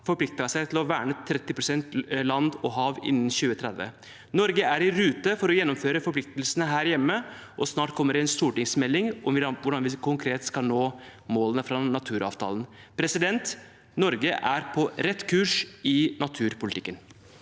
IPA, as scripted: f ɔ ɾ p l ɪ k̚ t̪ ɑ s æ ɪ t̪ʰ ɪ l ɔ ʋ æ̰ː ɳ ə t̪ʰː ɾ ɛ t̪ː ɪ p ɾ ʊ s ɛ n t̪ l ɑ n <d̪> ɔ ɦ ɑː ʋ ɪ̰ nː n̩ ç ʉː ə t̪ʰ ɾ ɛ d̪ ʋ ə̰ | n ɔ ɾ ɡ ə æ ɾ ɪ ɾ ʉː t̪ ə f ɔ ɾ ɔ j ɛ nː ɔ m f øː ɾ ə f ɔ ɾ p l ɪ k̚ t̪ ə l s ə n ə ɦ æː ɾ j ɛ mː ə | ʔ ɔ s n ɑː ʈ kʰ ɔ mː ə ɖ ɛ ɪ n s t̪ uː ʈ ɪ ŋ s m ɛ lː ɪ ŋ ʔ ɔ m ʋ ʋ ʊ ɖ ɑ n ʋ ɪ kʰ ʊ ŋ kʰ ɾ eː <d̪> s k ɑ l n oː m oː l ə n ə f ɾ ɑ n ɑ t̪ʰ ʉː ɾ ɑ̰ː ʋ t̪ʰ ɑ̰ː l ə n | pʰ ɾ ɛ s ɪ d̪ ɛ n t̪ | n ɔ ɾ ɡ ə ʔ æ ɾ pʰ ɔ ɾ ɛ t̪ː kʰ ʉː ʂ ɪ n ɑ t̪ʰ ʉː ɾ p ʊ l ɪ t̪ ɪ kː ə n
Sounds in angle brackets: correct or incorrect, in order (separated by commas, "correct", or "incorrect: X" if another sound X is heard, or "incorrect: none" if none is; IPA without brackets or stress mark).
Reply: correct, incorrect: t̪